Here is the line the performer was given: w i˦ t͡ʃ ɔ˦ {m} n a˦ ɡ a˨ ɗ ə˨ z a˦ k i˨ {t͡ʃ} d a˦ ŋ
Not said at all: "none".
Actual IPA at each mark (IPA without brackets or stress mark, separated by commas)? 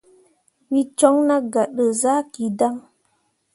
ŋ, none